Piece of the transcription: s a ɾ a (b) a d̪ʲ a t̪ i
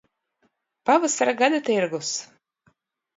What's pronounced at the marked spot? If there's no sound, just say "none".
ɡ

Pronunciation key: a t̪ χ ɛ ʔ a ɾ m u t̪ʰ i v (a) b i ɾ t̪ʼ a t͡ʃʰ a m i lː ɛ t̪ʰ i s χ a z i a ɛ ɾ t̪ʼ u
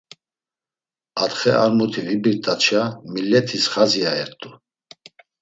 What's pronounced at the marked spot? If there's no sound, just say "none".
i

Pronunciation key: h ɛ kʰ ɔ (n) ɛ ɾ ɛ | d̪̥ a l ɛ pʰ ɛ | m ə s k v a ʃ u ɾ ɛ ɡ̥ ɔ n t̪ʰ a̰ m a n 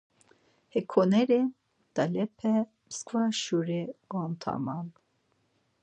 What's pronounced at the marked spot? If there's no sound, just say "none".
n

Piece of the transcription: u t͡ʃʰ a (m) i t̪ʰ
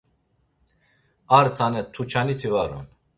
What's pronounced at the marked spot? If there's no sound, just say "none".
n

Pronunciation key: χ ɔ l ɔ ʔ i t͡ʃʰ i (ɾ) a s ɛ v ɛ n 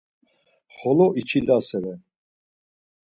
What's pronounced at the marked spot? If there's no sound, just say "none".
l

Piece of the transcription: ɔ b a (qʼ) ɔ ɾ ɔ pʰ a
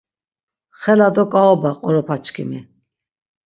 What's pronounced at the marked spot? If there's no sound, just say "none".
qʼ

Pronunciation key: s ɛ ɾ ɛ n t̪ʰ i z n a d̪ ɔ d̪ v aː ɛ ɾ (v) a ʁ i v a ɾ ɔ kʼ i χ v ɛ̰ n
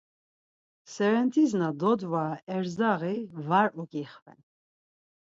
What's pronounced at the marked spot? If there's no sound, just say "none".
z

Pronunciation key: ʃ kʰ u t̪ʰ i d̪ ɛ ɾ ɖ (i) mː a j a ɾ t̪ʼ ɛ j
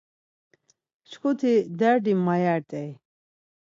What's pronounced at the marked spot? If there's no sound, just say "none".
i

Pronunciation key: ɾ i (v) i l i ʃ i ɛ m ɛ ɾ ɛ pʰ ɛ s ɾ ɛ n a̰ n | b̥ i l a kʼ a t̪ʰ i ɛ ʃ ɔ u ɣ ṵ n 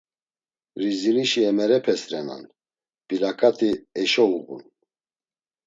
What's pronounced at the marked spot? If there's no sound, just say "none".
z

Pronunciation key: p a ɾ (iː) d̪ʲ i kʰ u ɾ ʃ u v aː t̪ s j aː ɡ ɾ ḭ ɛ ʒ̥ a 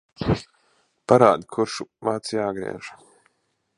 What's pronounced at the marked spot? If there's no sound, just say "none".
aː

